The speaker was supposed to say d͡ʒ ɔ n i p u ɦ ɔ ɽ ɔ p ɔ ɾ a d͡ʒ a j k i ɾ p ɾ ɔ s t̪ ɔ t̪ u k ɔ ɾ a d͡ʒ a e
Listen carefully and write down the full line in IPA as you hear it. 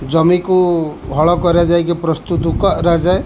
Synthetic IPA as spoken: d͡ʒ ɔ m i k u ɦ ɔ ɭ ɔ k ɔ ɾ a d͡ʒ a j k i p ɾ ɔ s t̪ u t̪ u k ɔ ɾ a d͡ʒ a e